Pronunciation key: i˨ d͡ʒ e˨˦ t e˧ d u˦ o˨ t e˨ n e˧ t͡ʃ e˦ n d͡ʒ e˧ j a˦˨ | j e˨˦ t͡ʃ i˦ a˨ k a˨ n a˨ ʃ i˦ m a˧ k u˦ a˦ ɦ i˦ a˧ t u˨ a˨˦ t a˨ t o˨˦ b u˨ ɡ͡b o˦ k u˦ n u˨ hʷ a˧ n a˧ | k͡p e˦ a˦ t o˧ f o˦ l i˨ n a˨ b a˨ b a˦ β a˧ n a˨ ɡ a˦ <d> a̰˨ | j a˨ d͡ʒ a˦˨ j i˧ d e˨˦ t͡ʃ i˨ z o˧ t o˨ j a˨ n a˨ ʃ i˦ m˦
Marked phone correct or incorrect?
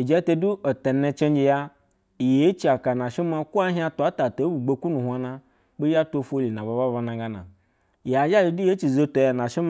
incorrect